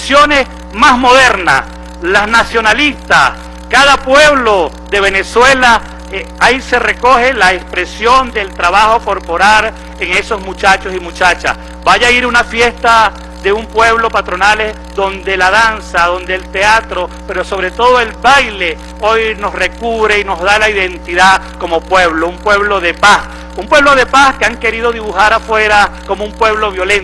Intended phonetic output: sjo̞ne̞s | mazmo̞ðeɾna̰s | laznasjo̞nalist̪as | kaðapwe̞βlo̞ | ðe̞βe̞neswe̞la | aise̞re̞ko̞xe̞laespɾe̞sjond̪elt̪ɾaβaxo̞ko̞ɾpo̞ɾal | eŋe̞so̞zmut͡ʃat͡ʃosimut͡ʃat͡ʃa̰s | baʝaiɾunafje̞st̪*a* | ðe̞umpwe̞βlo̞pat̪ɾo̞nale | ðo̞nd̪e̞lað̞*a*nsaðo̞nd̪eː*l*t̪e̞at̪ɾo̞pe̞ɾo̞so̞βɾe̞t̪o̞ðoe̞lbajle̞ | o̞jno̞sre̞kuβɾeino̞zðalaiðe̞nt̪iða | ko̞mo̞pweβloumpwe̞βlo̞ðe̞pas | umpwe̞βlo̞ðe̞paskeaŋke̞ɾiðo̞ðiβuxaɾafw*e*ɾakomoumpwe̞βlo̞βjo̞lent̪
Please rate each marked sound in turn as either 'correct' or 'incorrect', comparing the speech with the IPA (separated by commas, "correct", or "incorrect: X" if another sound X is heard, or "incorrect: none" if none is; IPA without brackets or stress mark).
correct, correct, correct, correct